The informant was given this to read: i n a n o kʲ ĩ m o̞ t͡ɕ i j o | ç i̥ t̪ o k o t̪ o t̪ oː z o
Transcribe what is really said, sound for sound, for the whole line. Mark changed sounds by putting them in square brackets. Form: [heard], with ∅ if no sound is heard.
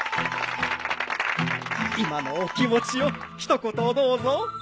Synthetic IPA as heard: i [m] a n o kʲ [i] m o̞ t͡ɕ i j o | ç i̥ t̪ o k o t̪ o [d̪] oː z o